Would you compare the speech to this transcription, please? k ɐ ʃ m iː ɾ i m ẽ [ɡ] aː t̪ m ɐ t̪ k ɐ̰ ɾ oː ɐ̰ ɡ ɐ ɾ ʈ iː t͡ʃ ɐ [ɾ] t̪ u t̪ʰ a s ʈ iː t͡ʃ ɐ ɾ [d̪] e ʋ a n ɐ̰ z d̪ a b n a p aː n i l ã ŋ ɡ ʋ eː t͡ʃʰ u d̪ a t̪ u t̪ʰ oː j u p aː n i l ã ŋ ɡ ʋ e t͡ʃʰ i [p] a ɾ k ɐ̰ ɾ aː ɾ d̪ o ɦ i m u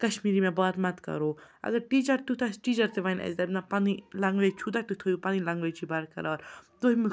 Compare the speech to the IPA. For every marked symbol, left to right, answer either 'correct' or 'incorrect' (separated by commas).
incorrect, correct, incorrect, incorrect